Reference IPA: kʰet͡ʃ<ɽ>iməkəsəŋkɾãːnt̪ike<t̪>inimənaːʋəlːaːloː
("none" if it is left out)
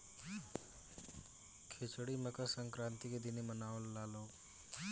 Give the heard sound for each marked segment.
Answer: ɽ, d̪

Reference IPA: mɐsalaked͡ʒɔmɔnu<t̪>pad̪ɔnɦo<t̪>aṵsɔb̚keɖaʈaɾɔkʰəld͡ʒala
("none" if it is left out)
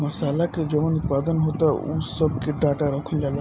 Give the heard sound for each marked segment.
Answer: t̪, t̪

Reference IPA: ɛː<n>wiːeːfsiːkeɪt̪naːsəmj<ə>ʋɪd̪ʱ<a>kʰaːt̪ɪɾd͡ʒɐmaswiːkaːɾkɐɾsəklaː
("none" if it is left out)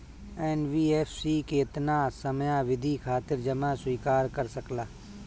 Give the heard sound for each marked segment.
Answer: n, a, i

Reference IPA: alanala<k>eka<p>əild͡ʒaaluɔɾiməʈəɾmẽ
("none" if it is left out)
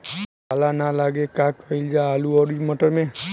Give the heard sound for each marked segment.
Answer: ɡ, k

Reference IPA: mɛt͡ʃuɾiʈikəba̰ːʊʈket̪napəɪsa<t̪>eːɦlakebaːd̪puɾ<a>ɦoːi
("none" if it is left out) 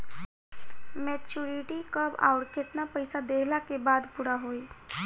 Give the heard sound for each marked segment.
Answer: d̪, a

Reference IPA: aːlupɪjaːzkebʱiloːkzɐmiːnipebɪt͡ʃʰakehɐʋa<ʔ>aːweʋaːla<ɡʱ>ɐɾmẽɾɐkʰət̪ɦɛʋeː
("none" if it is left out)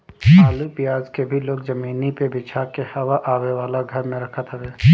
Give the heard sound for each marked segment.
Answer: ʔ, ɡʱ

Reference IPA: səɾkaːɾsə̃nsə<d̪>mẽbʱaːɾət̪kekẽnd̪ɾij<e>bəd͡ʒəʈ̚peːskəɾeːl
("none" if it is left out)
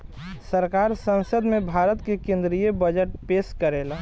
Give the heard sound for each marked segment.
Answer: d̪, e

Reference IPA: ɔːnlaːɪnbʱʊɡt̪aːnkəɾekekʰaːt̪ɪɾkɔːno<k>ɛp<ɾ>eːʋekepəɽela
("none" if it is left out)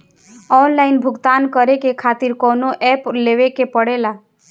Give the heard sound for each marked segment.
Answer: ʔ, l

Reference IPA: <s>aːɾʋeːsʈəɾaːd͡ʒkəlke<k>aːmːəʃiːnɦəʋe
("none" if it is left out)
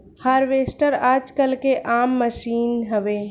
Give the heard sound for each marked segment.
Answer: h, ʔ

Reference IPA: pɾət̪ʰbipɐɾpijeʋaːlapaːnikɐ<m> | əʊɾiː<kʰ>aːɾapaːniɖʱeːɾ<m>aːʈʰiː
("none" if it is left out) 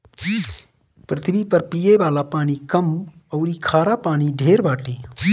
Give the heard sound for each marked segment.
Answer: m, kʰ, b

